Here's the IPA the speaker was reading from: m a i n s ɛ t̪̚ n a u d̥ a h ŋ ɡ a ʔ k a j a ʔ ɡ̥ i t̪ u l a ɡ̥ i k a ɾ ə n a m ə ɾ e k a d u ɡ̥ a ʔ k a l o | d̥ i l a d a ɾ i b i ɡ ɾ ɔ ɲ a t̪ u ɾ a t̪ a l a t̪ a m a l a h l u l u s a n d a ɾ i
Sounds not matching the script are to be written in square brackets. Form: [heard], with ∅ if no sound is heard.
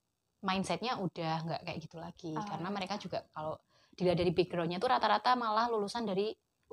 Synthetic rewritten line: m a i n s ɛ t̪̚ [ɲ] a u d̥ a h ŋ ɡ a ʔ k a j a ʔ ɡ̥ i t̪ u l a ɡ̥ i k a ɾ ə n a m ə ɾ e k a [d͡ʒ] u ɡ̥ a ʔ k a l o | d̥ i l a d a ɾ i b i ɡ ɾ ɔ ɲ a t̪ u ɾ a t̪ a [ɾ] a t̪ a m a l a h l u l u s a n d a ɾ i